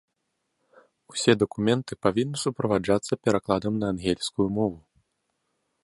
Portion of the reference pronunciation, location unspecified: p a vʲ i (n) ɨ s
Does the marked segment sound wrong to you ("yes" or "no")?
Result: yes